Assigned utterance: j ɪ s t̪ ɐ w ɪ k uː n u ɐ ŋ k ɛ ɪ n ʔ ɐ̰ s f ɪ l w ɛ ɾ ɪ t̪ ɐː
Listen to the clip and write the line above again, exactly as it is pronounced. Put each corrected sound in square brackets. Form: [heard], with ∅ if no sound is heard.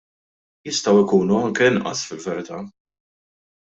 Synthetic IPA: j ɪ s t̪ ɐ w ɪ k uː n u ɐ ŋ k ɛ ɪ n ʔ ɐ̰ s f ɪ l [v] ɛ ɾ ɪ t̪ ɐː